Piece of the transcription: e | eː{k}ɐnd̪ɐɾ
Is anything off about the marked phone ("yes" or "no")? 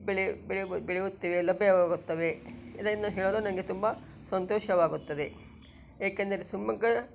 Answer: no